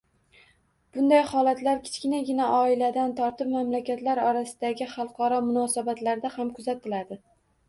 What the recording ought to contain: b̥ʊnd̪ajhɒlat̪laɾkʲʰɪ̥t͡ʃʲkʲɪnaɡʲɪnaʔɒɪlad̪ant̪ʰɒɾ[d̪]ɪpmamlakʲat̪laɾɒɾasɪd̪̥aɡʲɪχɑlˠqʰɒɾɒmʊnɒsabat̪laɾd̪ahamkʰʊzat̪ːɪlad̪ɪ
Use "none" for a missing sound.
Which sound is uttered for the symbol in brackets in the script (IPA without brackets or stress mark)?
t̪